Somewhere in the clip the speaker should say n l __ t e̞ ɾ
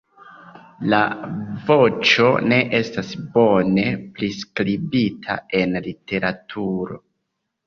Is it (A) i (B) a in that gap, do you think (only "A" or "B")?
A